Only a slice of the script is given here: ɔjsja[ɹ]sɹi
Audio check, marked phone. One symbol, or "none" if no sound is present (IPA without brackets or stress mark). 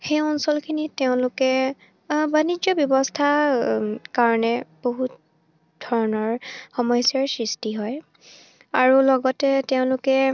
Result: ɹ